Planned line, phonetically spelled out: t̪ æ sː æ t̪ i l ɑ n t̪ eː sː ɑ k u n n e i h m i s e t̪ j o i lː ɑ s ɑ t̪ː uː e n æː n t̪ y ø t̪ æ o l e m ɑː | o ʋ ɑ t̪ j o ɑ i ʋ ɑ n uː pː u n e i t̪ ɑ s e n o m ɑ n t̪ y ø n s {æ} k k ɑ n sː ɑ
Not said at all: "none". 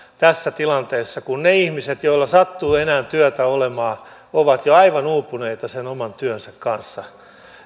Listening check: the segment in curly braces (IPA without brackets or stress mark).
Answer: æ